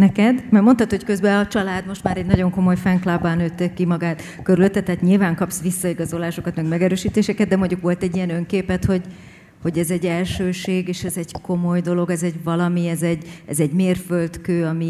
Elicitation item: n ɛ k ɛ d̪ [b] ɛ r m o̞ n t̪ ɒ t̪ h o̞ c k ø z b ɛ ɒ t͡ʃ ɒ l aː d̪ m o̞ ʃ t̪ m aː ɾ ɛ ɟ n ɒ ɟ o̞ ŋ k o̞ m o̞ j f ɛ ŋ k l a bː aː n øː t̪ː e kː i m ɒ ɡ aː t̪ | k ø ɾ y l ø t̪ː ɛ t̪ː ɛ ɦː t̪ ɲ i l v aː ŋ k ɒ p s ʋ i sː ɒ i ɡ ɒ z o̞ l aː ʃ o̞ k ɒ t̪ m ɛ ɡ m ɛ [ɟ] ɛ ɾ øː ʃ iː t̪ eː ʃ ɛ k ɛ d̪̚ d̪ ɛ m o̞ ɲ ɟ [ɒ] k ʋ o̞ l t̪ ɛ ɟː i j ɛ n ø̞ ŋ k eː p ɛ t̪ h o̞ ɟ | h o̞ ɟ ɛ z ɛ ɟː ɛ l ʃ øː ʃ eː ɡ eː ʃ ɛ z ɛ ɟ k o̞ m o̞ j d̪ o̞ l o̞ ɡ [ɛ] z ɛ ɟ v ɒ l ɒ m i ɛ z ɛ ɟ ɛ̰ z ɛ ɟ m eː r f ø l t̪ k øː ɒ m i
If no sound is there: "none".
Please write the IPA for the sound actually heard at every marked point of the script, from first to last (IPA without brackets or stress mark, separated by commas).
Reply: m, ɡ, u, ɛ